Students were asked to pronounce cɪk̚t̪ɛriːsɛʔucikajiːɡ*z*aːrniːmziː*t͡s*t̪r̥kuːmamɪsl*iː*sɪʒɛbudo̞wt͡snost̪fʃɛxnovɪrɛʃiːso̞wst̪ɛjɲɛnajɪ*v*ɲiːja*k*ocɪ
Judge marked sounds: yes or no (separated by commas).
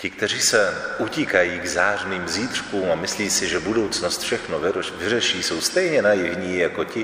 yes, no, yes, yes, yes